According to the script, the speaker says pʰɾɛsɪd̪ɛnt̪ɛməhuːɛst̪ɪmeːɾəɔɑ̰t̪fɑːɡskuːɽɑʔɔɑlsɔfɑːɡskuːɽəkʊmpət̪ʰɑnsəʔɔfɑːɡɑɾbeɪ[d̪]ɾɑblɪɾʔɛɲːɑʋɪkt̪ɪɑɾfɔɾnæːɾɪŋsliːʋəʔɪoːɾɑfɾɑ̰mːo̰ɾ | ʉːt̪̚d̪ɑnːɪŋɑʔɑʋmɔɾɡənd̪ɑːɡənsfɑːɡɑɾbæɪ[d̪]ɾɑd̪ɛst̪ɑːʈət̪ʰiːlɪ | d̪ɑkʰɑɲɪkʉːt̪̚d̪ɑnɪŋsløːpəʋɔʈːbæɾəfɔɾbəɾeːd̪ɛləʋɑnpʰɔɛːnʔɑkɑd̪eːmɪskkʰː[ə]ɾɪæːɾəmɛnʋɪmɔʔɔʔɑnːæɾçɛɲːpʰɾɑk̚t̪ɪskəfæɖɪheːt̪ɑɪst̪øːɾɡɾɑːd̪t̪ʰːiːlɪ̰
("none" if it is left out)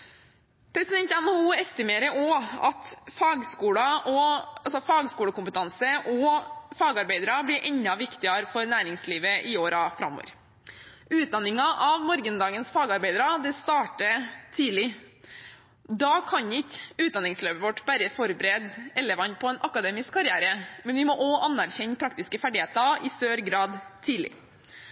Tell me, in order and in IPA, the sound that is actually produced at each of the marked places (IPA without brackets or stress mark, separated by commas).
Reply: d̪, d̪, ɑ